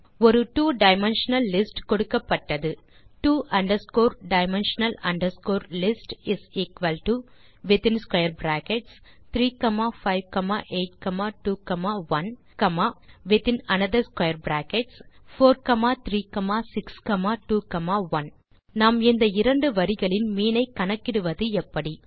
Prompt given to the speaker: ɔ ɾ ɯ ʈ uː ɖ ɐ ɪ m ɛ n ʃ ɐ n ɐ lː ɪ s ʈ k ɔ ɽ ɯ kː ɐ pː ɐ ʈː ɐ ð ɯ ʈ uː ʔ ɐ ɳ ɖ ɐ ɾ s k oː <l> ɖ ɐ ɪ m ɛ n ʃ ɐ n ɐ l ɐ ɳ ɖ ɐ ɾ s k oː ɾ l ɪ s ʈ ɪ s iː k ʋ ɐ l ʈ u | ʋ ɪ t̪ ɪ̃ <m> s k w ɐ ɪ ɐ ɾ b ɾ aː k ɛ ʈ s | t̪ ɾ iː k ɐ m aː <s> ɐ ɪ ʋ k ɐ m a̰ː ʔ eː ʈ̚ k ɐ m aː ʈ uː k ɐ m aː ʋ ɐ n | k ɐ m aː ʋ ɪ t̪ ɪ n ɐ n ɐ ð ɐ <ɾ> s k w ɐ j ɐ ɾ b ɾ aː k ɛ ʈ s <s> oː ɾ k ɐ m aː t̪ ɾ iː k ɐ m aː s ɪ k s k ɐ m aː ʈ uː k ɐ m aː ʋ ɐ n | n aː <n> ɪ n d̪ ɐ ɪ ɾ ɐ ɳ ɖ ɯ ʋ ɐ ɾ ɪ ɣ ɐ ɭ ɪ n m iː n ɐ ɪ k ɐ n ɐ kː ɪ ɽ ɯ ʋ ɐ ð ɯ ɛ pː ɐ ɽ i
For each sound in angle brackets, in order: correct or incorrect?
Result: incorrect, incorrect, incorrect, correct, incorrect, incorrect

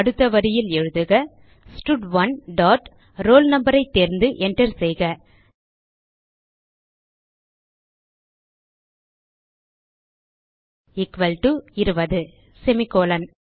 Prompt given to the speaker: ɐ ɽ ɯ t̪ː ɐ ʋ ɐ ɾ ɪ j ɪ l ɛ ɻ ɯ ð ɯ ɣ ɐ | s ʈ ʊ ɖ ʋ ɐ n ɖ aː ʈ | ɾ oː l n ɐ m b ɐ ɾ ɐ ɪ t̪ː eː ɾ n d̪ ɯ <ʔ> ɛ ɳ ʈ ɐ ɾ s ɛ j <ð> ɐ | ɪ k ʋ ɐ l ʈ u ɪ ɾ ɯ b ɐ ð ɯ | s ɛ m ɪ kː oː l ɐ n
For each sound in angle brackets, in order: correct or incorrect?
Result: correct, incorrect

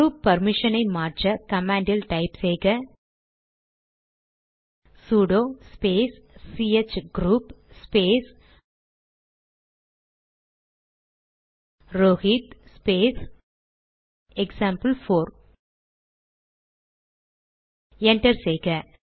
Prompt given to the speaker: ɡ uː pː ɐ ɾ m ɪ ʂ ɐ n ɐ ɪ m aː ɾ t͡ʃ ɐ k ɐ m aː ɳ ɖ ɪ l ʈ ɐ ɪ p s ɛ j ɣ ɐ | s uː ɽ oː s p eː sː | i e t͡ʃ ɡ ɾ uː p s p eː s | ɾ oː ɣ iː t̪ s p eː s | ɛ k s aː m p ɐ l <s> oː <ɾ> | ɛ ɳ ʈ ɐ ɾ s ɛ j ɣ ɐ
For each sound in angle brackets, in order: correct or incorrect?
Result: incorrect, correct

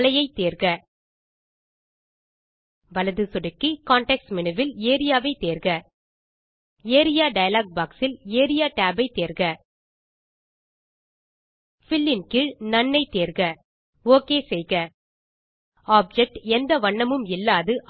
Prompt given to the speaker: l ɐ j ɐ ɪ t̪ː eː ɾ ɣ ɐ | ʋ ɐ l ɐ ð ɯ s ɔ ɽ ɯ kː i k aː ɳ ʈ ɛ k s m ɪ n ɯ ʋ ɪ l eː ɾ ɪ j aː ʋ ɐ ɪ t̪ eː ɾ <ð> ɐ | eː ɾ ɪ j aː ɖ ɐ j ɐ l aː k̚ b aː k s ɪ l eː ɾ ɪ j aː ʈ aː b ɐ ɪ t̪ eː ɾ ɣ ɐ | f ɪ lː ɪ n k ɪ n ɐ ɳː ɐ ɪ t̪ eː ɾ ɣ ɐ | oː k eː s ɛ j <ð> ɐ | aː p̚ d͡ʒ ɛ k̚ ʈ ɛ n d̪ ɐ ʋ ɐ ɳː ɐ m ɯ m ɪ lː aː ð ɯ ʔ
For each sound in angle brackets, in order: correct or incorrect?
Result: incorrect, incorrect

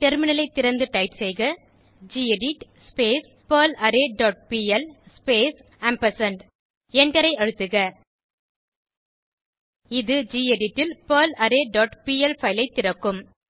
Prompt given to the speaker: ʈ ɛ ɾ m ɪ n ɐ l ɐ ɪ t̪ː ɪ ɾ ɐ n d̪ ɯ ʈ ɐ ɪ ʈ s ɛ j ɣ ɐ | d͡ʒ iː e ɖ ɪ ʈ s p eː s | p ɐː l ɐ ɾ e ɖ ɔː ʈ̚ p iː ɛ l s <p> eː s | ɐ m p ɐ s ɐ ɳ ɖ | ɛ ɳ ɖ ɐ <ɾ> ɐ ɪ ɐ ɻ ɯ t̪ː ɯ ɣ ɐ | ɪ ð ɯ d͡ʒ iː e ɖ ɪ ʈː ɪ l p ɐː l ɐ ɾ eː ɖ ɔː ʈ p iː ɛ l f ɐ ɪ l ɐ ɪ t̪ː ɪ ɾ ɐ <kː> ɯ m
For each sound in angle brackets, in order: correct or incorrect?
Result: correct, correct, correct

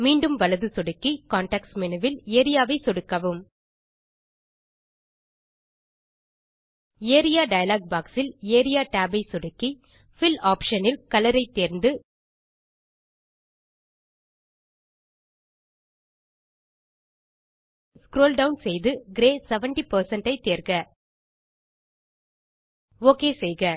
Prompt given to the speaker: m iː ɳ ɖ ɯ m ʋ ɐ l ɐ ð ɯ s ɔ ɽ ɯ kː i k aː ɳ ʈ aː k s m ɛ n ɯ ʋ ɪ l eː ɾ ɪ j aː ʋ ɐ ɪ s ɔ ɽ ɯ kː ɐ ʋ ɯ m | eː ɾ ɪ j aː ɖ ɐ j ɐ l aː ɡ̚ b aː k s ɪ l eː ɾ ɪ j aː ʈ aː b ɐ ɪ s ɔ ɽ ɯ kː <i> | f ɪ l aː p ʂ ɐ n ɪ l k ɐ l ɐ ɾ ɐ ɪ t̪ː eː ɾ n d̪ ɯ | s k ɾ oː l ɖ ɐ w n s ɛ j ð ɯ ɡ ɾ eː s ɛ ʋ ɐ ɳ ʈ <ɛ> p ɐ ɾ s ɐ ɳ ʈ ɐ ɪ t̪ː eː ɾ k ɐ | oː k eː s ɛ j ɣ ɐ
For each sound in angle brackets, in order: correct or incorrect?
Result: correct, incorrect

